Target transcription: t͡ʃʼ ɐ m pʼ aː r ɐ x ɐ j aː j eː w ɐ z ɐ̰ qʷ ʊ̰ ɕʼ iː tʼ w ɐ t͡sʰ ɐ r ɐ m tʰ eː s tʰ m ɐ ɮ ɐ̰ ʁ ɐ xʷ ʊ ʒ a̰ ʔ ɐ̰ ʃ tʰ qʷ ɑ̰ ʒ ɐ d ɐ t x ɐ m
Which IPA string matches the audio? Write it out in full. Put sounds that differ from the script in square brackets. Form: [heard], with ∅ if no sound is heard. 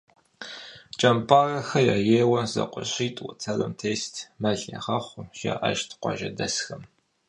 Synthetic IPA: t͡ʃʼ ɐ m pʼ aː r ɐ x ɐ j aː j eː w ɐ z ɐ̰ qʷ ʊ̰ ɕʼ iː tʼ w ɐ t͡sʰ ɐ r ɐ m tʰ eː s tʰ m ɐ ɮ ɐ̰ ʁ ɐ [χʷ] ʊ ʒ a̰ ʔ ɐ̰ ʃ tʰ qʷ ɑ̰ ʒ ɐ d ɐ [s] x ɐ m